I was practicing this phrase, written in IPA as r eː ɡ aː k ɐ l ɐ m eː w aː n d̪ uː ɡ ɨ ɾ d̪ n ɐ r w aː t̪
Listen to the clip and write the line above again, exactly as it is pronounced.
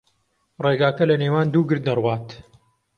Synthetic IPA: r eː ɡ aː k ɐ l ɐ n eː w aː n d̪ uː ɡ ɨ ɾ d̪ n ɐ r w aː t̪